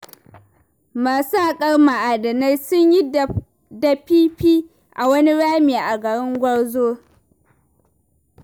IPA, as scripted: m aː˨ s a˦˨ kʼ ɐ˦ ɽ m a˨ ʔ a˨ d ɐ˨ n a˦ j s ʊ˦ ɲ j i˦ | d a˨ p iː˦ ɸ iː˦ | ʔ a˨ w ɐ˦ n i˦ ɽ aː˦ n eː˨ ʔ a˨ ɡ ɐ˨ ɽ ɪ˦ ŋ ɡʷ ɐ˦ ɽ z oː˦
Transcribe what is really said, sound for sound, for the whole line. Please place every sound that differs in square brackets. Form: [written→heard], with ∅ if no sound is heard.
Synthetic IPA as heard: m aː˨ s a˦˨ kʼ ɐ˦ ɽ m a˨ ʔ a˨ d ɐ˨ n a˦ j s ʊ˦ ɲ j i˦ | d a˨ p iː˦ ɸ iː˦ | ʔ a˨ w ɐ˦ n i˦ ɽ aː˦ [n→m] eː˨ ʔ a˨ ɡ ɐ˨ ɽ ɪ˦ ŋ ɡʷ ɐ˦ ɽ z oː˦